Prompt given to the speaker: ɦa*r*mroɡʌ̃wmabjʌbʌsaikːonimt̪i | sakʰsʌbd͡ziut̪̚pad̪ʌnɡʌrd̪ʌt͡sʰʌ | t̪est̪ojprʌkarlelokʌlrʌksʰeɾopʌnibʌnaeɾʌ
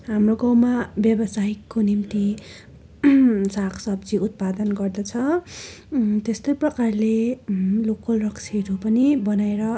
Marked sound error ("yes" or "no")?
yes